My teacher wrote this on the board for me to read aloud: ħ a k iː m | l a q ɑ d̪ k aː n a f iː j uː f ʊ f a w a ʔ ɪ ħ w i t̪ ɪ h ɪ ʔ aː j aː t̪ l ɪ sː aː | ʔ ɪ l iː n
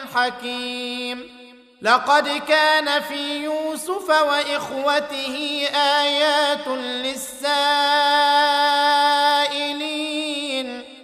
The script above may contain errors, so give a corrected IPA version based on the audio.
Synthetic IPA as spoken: ħ a k iː m | l ɑ q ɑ d̪ k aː n a f iː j uː s ʊ f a w a ʔ ɪ x w a t̪ ɪ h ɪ ʔ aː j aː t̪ l ɪ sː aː | ʔ ɪ l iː n